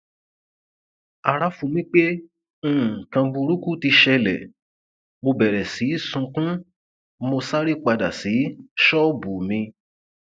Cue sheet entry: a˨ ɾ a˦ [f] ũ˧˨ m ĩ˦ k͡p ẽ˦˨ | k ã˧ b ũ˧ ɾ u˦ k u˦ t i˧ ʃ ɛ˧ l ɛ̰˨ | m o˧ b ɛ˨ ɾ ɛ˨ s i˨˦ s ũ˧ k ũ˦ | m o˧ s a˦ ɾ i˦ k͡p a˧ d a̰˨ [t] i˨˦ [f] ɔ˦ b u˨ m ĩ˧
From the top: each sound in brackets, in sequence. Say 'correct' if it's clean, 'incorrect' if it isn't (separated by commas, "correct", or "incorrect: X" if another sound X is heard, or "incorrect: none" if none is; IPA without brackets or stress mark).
correct, incorrect: s, incorrect: ʃ